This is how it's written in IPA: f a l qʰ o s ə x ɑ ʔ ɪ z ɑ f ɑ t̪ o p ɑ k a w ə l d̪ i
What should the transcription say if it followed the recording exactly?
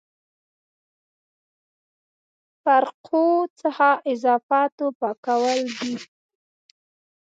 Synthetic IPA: f a ɾ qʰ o t͡s ə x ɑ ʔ ɪ z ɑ f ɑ t̪ o p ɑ k a w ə l d̪ i